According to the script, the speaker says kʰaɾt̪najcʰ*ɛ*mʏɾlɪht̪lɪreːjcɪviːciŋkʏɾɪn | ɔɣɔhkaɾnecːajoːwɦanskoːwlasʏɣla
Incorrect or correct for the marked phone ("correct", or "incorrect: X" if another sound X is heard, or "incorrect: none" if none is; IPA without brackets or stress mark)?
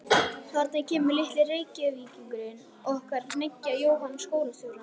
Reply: incorrect: ɛː